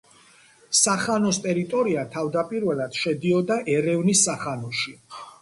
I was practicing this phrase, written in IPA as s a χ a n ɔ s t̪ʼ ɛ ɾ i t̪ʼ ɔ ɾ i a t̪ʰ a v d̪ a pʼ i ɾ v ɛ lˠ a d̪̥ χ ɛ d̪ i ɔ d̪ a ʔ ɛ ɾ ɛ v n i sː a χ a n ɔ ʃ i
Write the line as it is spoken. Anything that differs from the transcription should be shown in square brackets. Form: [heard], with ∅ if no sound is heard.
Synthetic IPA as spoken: s a χ a n ɔ s t̪ʼ ɛ ɾ i t̪ʼ ɔ ɾ i a t̪ʰ a v d̪ a pʼ i ɾ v ɛ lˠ a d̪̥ [ʃ] ɛ d̪ i ɔ d̪ a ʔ ɛ ɾ ɛ v n i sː a χ a n ɔ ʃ i